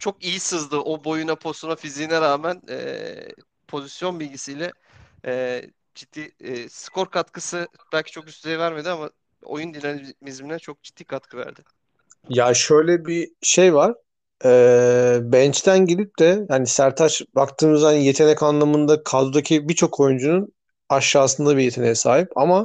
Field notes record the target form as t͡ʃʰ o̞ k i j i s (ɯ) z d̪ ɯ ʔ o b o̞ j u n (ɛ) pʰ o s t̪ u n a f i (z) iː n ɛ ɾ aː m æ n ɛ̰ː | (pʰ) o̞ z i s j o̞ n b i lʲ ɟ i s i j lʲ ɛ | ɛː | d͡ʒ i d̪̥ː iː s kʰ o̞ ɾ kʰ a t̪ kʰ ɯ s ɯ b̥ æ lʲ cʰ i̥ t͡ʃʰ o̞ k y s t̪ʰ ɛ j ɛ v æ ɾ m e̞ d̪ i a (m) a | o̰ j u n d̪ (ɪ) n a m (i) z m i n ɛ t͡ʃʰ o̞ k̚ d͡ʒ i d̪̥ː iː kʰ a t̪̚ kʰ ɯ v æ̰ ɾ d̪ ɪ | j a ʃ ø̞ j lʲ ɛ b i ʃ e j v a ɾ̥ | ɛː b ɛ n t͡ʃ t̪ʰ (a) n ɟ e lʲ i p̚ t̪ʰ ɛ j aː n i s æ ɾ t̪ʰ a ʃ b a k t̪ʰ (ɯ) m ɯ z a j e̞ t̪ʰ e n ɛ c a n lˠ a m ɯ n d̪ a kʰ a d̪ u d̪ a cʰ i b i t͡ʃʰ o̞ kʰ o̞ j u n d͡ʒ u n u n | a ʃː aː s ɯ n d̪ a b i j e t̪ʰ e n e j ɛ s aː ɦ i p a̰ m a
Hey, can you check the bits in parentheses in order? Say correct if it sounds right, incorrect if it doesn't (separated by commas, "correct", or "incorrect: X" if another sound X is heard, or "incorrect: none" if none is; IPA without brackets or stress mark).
correct, incorrect: a, correct, correct, correct, incorrect: i, correct, incorrect: æ, incorrect: ɯː